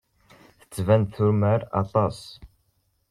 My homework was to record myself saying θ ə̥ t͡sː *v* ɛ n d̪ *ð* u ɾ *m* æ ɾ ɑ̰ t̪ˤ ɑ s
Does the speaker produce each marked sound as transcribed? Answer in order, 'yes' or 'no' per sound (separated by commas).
yes, no, yes